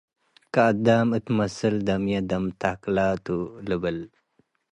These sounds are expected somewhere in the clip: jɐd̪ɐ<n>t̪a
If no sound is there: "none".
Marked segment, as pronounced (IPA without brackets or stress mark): m